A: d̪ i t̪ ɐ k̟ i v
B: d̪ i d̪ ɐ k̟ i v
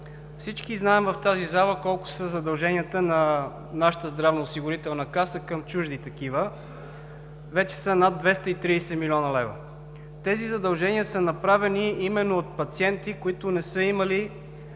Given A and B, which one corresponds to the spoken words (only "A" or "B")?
A